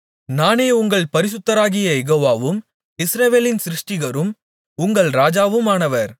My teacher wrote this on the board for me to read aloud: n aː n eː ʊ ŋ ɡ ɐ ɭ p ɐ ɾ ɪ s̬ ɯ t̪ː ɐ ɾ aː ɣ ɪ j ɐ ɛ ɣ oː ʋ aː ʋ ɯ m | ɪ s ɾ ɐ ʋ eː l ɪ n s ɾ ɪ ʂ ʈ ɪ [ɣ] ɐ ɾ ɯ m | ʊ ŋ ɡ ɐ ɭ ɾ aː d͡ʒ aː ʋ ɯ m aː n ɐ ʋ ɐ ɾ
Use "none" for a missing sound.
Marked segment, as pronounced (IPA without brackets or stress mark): ɣ